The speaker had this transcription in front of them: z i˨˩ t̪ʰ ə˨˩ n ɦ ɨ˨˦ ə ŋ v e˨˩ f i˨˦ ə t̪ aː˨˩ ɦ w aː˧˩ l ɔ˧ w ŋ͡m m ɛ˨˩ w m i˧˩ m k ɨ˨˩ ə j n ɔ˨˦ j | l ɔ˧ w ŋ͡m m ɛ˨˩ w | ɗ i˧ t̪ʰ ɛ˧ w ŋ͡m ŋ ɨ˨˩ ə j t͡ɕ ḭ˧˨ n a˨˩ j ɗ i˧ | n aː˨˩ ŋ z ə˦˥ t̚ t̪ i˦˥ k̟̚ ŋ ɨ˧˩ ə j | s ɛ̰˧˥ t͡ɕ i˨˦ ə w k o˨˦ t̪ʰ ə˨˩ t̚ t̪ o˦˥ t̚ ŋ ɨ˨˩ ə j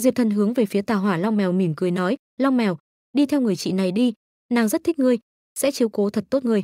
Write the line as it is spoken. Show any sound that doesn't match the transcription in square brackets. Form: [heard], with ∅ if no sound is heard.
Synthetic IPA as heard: z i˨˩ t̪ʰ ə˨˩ n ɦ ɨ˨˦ ə ŋ v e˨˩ f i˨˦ ə t̪ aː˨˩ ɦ w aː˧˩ l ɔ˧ w ŋ͡m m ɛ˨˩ w m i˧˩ m k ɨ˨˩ ə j n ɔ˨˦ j | l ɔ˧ w ŋ͡m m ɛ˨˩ w | ɗ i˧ t̪ʰ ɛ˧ w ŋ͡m ŋ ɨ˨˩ ə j t͡ɕ ḭ˧˨ n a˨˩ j ɗ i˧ | n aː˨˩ ŋ z ə˦˥ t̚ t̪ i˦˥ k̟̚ ŋ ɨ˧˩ ə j | s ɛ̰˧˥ t͡ɕ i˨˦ ə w k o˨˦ t̪ʰ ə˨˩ t̚ t̪ o˦˥ t̚ ŋ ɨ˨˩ ə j

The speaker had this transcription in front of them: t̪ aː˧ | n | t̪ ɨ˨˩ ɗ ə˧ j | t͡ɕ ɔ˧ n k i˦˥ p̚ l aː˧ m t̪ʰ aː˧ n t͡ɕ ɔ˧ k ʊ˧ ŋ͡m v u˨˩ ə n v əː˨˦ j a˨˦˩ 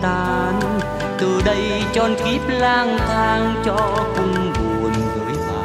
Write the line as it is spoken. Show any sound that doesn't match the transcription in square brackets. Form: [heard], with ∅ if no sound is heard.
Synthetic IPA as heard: t̪ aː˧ | n | t̪ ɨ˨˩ ɗ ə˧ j | t͡ɕ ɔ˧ n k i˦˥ p̚ l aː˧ [ŋ] t̪ʰ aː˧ [ŋ] t͡ɕ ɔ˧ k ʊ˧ ŋ͡m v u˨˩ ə n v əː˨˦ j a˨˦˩

